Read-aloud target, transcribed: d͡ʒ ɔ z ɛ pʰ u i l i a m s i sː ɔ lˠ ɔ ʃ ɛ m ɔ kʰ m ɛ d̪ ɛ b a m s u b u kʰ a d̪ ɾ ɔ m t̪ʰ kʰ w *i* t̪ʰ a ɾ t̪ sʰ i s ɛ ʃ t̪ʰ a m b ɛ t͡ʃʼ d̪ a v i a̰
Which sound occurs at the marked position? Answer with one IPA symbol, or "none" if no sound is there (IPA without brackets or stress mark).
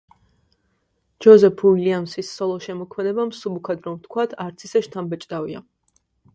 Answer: a